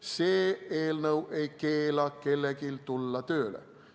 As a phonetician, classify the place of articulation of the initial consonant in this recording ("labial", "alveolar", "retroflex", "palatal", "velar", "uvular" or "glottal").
alveolar